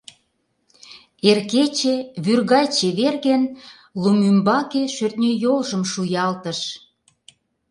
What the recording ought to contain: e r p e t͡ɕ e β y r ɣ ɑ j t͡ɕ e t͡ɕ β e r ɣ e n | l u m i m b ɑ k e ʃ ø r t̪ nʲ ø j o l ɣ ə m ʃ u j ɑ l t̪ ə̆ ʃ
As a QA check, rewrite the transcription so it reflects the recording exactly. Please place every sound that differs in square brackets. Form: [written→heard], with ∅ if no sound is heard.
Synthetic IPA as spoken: e r [p→k] e t͡ɕ e β y r ɣ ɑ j t͡ɕ e [t͡ɕ→∅] β e r ɣ e n | l u m [i→y] m b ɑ k e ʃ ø r t̪ nʲ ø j o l [ɣ→ʒ] ə m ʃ u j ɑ l t̪ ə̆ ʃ